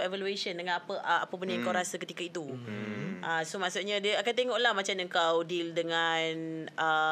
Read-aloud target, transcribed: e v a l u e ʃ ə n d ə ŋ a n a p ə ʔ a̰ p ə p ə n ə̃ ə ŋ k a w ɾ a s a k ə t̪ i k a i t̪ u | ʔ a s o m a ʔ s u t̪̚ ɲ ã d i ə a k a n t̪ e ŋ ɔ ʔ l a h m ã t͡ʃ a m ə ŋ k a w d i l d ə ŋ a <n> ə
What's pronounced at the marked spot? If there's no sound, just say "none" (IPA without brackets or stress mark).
n